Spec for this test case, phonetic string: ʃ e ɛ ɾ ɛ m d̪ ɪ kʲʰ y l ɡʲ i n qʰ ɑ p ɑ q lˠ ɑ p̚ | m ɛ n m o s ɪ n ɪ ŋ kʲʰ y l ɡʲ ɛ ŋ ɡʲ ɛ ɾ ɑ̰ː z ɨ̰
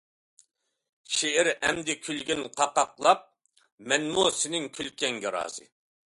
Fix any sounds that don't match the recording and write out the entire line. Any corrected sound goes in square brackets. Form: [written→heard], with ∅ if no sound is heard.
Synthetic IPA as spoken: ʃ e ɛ ɾ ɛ m d̪ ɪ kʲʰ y l ɡʲ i n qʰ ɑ [p→q] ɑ q lˠ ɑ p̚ | m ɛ n m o s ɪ n ɪ ŋ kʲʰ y l [ɡʲ→kʲ] ɛ ŋ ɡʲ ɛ ɾ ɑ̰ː z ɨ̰